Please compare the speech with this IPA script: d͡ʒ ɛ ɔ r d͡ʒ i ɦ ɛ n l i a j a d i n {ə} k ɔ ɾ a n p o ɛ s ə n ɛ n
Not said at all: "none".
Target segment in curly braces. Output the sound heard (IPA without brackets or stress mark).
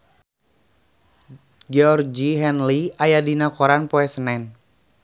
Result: a